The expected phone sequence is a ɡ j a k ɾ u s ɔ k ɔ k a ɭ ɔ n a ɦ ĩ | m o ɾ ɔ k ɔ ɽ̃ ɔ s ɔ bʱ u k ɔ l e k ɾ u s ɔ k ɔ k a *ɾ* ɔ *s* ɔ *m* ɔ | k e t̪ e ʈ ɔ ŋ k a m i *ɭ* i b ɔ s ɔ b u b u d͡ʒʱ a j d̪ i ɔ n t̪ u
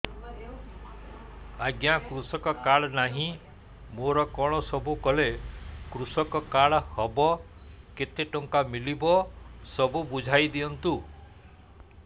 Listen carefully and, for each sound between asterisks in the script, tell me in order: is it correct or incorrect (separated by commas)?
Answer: incorrect, incorrect, incorrect, incorrect